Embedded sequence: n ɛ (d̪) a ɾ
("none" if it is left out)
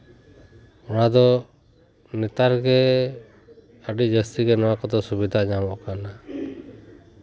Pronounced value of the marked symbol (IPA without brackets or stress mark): t̪